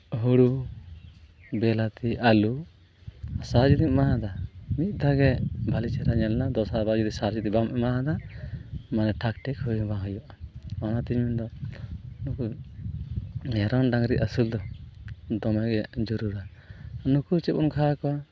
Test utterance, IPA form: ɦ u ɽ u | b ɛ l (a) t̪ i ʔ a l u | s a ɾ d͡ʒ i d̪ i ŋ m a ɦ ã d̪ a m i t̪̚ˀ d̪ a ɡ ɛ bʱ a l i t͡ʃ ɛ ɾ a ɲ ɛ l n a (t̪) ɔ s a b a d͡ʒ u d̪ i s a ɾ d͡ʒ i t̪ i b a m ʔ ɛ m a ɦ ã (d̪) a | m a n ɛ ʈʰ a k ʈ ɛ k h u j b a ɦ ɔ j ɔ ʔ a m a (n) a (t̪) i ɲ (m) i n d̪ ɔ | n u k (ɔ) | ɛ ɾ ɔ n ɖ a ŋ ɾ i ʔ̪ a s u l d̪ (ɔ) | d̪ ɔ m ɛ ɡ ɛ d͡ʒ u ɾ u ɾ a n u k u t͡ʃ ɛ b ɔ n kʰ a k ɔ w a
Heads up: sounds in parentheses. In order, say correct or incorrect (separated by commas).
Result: correct, incorrect, correct, correct, correct, correct, incorrect, correct